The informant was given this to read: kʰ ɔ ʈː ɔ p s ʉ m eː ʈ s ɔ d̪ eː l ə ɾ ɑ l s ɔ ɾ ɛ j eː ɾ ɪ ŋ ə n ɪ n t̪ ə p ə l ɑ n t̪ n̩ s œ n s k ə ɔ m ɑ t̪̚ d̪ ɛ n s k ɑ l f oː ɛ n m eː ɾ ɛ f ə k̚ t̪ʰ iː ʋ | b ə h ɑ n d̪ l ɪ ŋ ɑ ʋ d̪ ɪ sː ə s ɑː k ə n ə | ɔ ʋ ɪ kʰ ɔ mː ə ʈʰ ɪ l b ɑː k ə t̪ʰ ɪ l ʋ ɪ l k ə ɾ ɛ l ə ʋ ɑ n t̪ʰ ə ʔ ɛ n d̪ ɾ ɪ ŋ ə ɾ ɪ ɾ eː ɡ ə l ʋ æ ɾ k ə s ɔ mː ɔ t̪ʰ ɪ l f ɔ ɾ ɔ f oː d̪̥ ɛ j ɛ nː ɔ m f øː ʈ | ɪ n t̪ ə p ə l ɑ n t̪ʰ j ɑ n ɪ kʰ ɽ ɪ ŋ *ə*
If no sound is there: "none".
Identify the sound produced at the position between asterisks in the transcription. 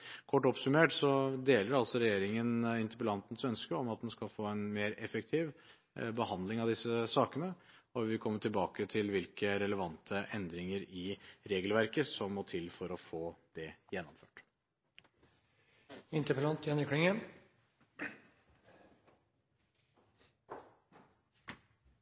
ə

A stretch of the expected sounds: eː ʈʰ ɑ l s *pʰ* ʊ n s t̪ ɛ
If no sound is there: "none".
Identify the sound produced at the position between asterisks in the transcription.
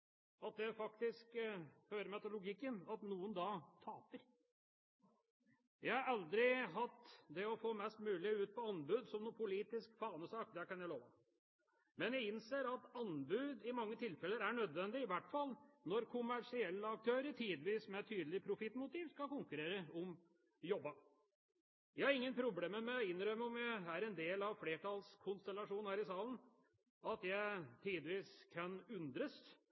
kʰ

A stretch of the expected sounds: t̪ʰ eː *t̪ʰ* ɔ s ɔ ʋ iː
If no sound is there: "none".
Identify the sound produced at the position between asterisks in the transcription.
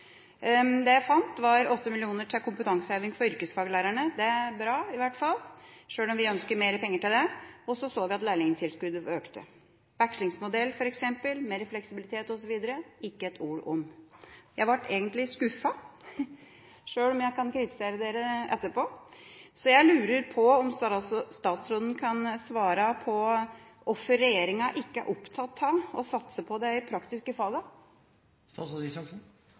t̪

